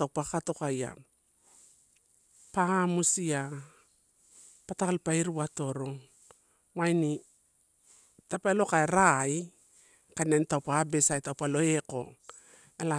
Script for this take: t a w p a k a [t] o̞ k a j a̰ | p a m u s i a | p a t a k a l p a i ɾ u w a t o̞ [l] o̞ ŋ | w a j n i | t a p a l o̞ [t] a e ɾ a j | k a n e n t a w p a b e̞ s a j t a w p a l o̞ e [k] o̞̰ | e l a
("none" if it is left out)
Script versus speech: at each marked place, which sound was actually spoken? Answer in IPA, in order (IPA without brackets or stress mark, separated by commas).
t, ɾ, k, k